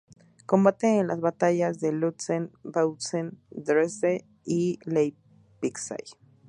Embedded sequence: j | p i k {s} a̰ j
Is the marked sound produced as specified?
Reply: yes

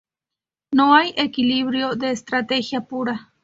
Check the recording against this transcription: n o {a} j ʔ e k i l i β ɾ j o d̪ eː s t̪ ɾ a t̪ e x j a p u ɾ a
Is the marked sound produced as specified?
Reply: yes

